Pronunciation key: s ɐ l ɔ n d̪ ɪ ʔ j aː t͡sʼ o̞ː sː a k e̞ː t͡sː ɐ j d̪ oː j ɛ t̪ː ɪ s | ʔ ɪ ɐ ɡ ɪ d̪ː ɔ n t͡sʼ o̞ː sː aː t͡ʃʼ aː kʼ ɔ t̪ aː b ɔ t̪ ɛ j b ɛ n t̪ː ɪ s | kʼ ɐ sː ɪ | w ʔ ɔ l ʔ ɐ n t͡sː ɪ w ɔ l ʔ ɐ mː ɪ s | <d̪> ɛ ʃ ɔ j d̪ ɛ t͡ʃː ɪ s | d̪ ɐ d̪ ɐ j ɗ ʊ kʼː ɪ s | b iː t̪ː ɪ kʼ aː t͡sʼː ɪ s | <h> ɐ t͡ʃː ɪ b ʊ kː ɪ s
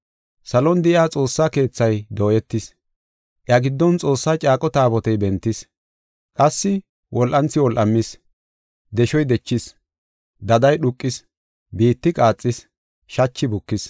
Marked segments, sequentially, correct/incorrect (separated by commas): correct, incorrect